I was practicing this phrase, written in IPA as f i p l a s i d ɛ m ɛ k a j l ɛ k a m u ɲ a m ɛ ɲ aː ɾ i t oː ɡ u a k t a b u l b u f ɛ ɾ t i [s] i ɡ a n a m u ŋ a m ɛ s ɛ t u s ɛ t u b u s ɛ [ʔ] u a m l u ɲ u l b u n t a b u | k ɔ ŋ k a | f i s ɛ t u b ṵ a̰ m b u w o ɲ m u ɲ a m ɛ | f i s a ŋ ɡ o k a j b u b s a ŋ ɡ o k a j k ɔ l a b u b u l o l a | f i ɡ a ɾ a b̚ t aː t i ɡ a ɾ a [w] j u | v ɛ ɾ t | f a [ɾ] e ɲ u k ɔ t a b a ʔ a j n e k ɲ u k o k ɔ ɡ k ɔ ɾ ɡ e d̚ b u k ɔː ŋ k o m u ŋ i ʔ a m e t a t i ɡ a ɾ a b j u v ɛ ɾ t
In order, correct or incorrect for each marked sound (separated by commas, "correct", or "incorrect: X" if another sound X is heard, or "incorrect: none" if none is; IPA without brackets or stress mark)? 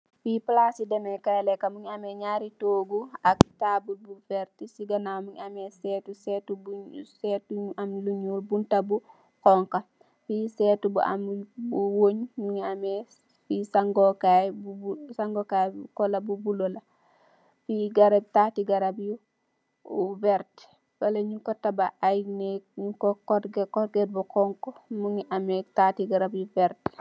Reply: correct, incorrect: t, incorrect: b, incorrect: l